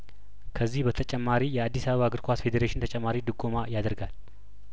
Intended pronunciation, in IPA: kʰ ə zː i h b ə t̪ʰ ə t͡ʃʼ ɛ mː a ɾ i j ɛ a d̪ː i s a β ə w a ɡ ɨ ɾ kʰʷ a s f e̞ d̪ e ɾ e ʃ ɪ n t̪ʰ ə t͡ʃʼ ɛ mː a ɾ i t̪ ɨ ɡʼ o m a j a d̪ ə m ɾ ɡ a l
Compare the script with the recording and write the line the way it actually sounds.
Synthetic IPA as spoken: kʰ ə zː i h b ə t̪ʰ ə t͡ʃʼ ɛ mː a ɾ i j ɛ a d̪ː i s a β ə β a ɡ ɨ ɾ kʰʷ a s f e̞ d̪ e ɾ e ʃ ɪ n t̪ʰ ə t͡ʃʼ ɛ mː a ɾ i d̪ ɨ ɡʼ o m a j a d̪ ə ɾ ɡ a l